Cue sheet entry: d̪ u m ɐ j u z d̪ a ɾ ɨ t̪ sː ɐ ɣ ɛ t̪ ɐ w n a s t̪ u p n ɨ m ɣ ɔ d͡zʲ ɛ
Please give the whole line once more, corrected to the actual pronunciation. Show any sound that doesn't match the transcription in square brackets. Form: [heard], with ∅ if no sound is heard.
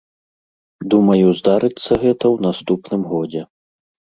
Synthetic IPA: d̪ u m ɐ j u z d̪ a ɾ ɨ t̪ sː ɐ ɣ ɛ t̪ ɐ w n a s t̪ u p n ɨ m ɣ ɔ d͡zʲ ɛ